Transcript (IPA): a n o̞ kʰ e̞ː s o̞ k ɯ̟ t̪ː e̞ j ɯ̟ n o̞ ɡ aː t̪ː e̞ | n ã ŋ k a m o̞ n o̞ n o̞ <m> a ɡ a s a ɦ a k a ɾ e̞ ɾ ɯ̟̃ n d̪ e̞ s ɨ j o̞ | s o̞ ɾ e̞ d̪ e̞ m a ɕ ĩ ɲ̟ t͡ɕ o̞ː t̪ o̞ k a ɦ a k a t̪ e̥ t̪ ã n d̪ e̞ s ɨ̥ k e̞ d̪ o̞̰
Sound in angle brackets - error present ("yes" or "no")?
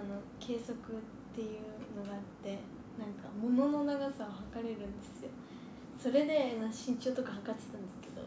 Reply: yes